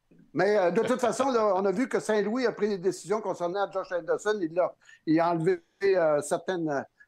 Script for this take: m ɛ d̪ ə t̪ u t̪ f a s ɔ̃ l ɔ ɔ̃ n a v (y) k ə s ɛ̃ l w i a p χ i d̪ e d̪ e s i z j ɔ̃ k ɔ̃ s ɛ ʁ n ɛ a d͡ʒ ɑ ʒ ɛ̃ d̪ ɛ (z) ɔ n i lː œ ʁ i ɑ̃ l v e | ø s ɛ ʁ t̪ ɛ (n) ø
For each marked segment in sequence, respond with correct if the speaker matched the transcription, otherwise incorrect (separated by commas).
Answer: correct, incorrect, correct